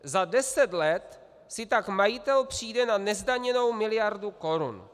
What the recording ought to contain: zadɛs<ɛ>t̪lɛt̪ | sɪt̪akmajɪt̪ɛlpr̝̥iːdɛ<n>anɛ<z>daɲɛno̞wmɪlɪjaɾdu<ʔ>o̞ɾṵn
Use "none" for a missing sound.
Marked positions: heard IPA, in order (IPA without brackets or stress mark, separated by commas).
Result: ɛ, n, z, k